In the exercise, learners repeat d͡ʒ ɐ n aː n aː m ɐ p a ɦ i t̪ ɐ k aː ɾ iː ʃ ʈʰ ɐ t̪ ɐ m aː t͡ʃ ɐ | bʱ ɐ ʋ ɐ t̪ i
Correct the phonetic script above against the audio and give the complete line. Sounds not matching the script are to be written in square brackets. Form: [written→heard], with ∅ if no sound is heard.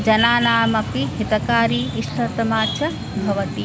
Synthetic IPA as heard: d͡ʒ ɐ n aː n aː m ɐ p [a→i] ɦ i t̪ ɐ k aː ɾ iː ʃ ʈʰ ɐ t̪ ɐ m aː t͡ʃ ɐ | bʱ ɐ ʋ ɐ t̪ i